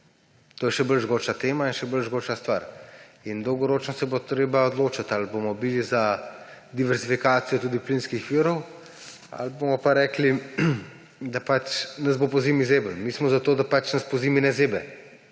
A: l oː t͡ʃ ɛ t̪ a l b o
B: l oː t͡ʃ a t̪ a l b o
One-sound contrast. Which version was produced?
B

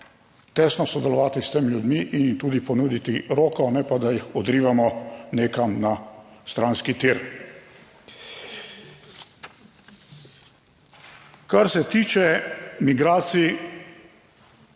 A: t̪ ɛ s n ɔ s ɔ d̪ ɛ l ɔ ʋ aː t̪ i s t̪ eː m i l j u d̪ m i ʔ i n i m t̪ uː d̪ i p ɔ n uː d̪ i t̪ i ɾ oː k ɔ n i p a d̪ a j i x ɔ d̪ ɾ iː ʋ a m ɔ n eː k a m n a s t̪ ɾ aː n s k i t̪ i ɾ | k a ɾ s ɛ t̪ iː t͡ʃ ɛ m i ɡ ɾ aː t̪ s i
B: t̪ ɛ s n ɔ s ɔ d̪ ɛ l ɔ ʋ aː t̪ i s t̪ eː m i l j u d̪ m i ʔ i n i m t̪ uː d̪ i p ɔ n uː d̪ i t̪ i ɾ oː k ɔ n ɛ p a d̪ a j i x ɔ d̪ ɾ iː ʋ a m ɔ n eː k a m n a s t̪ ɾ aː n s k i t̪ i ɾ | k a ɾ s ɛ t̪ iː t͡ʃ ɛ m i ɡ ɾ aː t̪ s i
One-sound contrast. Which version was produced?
B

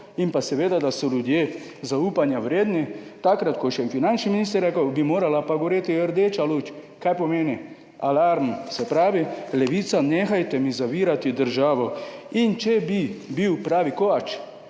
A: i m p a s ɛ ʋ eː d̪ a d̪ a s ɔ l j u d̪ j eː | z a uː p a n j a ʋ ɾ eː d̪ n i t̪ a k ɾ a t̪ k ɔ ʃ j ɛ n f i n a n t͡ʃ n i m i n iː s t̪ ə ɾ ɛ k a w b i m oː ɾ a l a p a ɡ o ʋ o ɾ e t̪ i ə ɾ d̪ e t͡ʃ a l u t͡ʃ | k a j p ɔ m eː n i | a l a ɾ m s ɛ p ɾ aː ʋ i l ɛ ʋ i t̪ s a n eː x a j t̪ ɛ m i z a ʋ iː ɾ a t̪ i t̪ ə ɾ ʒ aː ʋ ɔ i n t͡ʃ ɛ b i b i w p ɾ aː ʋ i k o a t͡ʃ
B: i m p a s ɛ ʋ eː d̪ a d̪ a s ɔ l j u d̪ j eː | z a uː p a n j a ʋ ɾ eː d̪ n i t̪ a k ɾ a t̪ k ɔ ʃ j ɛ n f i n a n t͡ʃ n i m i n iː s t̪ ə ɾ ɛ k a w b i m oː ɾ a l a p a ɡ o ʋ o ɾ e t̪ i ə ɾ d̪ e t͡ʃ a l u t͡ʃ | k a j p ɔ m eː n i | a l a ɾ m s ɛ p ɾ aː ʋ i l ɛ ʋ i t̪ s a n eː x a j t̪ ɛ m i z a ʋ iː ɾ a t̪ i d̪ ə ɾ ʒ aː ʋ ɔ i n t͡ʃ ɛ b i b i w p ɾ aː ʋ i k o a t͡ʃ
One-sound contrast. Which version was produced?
B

